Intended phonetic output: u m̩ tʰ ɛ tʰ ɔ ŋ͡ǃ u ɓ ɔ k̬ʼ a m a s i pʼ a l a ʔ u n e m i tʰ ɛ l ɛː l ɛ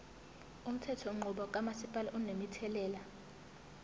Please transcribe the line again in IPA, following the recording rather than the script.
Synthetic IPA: u m̩ tʰ ɛ tʰ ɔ ŋ͡ǃ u ɓ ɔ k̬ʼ a m a s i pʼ a l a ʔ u n e m i tʰ ɛ l ɛː l a